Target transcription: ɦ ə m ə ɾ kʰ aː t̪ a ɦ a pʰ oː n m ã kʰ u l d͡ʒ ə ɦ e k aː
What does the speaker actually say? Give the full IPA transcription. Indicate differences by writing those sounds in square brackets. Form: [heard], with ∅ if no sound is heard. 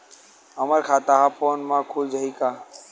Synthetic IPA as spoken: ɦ ə m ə ɾ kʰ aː t̪ a ɦ a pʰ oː n m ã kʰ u l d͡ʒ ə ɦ [i] k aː